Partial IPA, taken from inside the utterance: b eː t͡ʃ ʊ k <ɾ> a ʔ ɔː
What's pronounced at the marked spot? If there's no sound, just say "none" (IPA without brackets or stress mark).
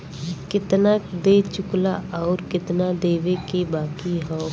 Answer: l